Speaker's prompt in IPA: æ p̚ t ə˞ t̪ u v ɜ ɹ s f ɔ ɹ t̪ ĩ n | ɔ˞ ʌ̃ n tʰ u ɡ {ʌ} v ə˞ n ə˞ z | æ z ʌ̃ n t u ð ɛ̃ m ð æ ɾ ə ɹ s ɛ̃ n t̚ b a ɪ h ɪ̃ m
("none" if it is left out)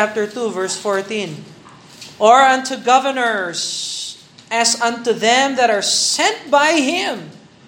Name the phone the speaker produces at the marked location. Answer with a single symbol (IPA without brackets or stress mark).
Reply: ʌ